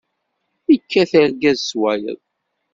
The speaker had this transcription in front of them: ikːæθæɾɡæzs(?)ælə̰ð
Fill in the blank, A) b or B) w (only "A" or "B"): B